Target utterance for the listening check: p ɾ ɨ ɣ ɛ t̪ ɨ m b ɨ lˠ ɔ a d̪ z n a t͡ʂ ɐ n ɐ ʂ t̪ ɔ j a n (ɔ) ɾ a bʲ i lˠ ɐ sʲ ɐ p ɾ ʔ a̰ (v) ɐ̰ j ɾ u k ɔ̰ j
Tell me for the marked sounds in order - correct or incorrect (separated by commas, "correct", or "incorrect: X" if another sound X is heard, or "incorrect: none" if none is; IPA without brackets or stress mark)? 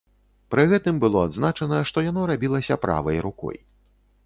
correct, correct